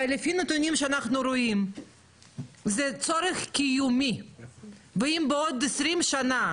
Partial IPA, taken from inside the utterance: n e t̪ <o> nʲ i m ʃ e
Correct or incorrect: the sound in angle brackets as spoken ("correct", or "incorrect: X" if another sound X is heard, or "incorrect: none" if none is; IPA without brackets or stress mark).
incorrect: u